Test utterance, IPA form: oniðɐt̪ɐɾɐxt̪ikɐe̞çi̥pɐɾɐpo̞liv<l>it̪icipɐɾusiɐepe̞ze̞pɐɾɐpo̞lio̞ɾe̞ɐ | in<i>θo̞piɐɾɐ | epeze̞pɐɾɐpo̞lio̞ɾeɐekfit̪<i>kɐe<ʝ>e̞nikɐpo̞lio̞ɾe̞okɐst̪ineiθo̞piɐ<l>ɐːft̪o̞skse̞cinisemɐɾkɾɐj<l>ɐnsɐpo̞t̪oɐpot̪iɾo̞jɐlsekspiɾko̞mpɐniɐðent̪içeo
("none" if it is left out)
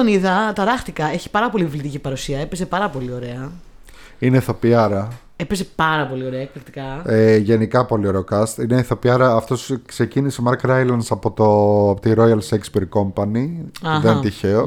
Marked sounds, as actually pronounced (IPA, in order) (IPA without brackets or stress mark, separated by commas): l, e, i, ʝ, ɾ, l